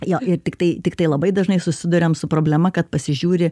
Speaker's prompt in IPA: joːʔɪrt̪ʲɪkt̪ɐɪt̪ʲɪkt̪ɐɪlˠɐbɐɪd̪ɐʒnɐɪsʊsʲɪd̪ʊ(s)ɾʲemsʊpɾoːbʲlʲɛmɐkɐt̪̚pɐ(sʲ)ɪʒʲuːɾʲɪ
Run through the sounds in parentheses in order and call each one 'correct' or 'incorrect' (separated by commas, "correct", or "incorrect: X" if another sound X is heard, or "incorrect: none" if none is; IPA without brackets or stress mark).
incorrect: none, correct